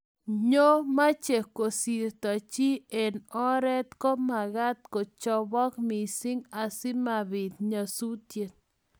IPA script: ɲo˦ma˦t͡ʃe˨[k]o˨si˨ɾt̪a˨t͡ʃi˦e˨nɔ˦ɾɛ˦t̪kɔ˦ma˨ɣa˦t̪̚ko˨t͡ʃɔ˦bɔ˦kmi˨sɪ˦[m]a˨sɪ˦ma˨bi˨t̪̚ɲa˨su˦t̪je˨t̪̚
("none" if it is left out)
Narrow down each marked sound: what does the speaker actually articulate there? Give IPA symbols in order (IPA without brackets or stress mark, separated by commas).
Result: k, ŋ